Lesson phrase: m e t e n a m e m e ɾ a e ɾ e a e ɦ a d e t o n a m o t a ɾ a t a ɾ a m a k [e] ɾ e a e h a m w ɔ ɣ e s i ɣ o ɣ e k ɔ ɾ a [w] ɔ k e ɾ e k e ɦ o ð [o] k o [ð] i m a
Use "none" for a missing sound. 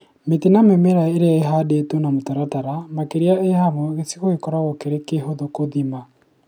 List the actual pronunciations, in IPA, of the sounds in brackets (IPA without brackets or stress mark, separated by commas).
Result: e, ɣ, o, ð